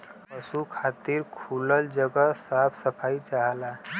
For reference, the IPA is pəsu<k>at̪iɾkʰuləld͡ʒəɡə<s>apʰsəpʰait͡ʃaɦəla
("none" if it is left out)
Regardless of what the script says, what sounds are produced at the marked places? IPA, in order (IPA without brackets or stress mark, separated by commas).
kʰ, s